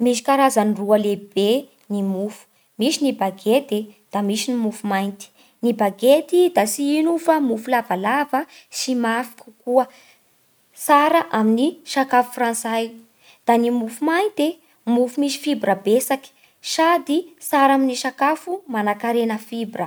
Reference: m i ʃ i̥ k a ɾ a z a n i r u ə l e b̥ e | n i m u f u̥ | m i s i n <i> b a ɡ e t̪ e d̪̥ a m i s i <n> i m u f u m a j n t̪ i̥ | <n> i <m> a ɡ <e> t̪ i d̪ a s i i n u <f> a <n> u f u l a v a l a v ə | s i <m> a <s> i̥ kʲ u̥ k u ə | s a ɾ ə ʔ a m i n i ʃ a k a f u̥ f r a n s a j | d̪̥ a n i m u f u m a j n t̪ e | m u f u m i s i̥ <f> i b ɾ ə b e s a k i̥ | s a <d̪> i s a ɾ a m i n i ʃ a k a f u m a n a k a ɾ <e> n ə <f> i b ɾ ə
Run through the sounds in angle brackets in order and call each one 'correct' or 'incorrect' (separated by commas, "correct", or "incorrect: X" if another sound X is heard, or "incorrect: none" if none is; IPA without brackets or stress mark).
correct, correct, correct, incorrect: b, correct, correct, incorrect: m, correct, incorrect: f, correct, correct, correct, correct